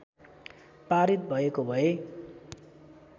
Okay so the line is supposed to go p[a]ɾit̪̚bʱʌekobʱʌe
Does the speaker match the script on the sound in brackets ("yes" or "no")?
yes